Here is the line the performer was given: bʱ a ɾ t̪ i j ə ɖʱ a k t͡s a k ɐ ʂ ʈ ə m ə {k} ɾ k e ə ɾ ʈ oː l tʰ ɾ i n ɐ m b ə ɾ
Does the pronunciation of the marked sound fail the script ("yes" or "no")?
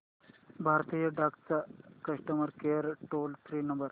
yes